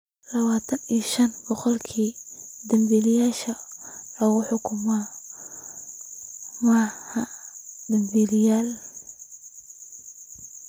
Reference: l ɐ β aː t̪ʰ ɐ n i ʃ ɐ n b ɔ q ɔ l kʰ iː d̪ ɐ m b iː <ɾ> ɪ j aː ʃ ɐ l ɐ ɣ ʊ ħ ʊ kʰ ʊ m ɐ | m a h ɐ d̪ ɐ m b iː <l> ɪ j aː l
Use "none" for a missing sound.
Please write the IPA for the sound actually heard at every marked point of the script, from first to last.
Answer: l, l

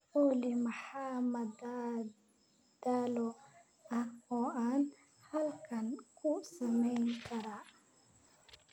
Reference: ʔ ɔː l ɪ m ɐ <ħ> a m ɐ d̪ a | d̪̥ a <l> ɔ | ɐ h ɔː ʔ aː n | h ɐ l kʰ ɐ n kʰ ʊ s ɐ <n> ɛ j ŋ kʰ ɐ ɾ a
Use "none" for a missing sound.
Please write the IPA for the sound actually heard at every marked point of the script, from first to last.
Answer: ħ, l, m

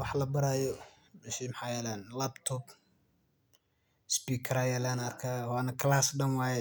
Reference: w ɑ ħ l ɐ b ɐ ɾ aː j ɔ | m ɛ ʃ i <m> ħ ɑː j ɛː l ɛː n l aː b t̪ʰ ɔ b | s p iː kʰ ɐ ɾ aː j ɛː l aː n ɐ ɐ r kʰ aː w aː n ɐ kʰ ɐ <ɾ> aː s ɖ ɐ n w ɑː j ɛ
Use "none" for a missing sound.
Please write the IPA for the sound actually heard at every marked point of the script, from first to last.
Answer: m, l

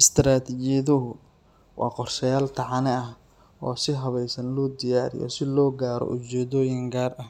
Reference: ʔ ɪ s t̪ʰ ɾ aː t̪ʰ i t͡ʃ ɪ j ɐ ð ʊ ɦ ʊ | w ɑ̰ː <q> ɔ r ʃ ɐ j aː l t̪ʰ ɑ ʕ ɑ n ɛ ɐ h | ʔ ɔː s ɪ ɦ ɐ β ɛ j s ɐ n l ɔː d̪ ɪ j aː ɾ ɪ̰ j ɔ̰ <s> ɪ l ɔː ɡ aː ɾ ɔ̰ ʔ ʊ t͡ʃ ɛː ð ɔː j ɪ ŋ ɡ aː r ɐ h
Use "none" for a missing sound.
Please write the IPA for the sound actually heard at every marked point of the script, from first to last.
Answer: q, s

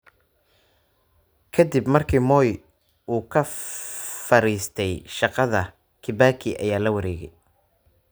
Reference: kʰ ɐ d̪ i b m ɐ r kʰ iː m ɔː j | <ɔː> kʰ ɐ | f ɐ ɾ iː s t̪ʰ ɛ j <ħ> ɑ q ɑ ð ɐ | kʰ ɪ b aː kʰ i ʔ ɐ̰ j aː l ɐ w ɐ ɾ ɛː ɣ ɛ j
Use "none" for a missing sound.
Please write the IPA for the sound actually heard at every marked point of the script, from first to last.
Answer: uː, ʃ

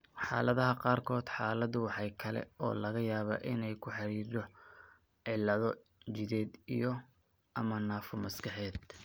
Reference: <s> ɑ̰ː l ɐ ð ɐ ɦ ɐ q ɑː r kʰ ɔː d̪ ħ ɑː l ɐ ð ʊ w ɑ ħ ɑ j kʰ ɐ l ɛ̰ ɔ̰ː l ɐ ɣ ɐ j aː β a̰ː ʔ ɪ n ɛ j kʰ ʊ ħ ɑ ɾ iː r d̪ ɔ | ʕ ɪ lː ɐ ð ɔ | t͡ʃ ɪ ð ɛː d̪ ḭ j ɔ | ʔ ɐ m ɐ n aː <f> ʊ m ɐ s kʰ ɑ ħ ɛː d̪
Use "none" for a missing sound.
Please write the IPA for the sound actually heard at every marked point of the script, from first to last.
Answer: ħ, f

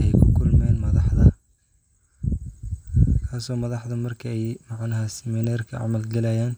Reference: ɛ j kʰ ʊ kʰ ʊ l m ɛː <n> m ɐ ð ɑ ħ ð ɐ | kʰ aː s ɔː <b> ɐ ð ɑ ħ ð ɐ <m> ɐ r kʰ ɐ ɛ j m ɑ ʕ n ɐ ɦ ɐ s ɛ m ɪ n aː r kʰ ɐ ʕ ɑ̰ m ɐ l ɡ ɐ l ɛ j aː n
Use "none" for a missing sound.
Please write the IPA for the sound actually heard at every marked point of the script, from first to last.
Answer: n, m, m

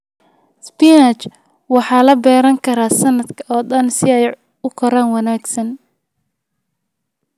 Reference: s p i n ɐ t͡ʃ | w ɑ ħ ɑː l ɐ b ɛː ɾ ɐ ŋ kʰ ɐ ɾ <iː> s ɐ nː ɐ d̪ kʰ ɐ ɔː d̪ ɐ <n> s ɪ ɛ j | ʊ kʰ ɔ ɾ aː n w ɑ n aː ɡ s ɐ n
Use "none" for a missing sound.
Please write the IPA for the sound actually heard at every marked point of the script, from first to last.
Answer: aː, n

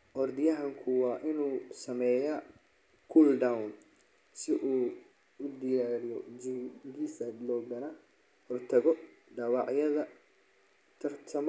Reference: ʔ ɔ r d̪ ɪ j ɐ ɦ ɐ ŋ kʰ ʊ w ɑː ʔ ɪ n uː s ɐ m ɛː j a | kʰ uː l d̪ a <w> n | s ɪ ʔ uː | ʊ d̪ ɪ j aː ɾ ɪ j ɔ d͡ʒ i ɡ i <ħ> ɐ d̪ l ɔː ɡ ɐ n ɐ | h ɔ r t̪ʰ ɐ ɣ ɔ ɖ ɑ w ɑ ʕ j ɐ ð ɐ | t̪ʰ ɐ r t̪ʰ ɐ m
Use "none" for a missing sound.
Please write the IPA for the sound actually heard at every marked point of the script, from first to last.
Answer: w, s

